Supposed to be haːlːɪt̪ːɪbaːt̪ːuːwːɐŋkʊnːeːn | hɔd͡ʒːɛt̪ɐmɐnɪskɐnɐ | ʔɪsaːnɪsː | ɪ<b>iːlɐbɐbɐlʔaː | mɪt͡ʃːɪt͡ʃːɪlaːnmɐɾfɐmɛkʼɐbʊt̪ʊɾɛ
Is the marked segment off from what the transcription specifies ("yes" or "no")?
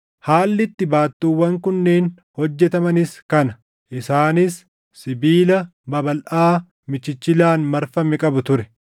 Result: no